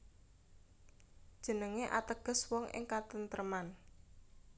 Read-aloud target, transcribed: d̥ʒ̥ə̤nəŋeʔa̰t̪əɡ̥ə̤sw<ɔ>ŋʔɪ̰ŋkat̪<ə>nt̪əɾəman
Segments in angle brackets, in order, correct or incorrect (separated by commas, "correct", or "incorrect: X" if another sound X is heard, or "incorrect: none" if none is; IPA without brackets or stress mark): correct, correct